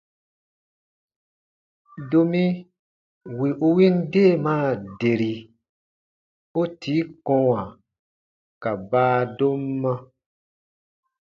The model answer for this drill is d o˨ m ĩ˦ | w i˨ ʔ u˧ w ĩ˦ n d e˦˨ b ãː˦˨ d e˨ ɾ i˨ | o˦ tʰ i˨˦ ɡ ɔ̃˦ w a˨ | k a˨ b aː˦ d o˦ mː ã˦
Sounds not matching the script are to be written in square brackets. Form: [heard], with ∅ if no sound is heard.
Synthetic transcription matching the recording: d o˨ m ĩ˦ | w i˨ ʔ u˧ w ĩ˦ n d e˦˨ [m] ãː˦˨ d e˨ ɾ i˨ | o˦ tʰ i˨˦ [k] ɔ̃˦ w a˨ | k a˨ b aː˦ d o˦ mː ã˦

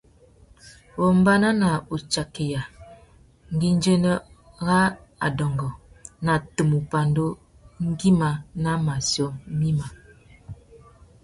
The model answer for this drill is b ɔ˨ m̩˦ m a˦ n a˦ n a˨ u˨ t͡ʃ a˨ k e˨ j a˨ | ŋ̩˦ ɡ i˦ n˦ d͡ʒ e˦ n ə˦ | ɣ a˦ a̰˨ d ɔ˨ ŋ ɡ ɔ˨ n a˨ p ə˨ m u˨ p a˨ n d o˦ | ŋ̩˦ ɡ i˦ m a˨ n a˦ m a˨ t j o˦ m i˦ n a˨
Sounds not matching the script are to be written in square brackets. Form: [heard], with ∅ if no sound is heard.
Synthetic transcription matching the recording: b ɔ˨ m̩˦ [b] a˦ n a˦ n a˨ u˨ t͡ʃ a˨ k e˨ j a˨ | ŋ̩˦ ɡ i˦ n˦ d͡ʒ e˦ n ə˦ | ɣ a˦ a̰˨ d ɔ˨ ŋ ɡ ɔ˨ n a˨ [t] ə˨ m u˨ p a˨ n d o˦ | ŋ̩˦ ɡ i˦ m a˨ n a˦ m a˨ [s] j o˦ m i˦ [m] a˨

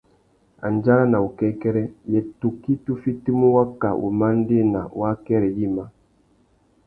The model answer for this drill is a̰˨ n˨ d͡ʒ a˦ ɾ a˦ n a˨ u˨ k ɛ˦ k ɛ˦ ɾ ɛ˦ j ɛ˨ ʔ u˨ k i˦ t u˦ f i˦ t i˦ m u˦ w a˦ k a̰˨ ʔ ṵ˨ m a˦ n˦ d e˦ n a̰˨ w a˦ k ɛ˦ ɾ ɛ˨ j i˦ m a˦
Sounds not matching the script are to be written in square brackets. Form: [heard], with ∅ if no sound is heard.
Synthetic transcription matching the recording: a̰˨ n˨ d͡ʒ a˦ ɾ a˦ n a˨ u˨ k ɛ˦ k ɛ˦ ɾ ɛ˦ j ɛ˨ [t] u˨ k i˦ t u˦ f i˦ t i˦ m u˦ w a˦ k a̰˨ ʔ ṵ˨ m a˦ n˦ d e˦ n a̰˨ w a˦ k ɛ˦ ɾ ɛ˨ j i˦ m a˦

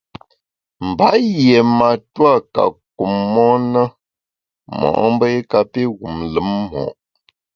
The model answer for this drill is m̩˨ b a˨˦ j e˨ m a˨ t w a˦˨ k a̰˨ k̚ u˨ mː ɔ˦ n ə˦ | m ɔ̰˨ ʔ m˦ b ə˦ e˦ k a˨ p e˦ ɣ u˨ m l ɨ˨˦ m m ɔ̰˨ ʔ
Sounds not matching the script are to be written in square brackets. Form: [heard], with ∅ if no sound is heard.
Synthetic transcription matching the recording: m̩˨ b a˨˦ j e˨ m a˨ t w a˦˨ k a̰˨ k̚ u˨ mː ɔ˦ n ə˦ | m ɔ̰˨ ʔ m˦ b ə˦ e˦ k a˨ p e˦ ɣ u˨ m l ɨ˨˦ m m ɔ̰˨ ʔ

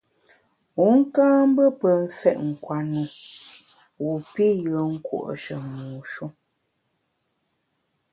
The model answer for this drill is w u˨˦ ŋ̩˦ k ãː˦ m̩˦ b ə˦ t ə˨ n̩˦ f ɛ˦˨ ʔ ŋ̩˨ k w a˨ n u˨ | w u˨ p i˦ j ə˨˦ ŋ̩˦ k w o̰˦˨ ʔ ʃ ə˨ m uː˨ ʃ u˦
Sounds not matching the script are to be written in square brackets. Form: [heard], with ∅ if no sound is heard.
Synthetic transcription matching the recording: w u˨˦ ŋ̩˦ k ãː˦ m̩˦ b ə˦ [p] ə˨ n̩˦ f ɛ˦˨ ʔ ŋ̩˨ k w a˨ n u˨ | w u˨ p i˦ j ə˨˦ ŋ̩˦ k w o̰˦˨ ʔ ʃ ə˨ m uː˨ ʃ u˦

